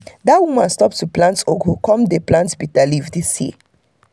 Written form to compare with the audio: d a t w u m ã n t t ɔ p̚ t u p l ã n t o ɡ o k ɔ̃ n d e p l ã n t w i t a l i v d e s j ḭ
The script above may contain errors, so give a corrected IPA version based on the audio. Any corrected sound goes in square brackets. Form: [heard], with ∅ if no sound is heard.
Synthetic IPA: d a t w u m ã n [s] t ɔ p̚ t u p l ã n t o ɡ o k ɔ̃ [m] d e p l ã n t [b] i t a l i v d [i] s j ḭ